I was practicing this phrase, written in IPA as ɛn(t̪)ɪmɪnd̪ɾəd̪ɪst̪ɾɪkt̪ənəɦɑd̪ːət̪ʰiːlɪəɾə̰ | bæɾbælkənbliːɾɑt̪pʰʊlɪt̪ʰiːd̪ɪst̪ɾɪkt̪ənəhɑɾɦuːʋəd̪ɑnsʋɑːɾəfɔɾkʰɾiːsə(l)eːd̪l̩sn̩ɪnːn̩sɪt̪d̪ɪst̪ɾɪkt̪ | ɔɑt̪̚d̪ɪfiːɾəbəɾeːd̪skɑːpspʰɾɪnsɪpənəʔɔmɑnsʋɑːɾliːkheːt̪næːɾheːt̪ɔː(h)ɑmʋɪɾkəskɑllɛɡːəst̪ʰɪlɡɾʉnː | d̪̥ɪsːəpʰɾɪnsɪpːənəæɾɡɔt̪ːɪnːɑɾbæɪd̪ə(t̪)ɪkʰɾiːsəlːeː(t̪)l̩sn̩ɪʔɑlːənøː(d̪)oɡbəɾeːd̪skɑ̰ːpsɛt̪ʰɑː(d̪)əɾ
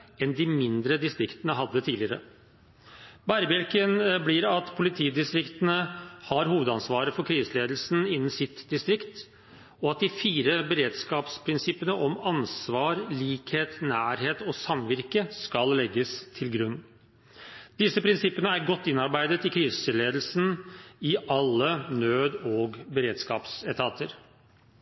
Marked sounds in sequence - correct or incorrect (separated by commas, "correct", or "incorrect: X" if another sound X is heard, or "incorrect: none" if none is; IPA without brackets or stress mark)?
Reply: incorrect: d̪, correct, incorrect: s, correct, incorrect: d̪, correct, incorrect: t̪